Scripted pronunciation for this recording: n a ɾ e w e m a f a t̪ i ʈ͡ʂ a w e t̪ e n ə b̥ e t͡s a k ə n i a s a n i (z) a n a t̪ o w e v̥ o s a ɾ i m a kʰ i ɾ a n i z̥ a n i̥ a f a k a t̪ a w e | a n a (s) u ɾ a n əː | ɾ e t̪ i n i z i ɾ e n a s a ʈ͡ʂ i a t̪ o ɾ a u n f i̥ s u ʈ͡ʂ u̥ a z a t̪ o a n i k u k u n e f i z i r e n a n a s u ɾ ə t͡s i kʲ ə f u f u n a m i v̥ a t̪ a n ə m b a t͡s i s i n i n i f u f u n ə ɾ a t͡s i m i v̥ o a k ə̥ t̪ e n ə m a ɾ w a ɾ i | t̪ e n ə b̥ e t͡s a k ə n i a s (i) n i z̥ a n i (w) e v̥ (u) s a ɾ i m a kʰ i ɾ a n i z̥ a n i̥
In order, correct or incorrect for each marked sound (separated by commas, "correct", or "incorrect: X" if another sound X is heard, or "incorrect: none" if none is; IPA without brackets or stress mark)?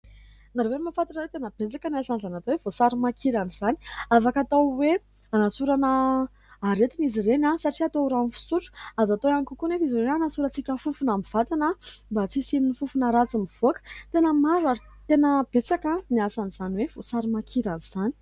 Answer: correct, correct, incorrect: a, correct, incorrect: o